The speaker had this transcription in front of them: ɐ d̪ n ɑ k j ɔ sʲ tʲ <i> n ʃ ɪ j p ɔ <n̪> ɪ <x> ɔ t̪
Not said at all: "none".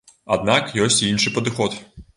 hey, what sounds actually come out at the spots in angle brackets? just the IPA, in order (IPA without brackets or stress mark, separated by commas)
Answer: i, d̪, x